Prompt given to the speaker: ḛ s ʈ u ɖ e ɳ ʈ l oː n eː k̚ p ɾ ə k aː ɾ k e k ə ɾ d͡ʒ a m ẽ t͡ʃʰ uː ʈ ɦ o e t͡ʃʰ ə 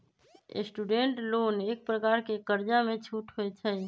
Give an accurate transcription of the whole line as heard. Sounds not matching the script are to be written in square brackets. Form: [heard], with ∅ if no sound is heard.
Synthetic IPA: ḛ s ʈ u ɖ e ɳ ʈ l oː n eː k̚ p ɾ ə k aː ɾ k e k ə ɾ d͡ʒ a m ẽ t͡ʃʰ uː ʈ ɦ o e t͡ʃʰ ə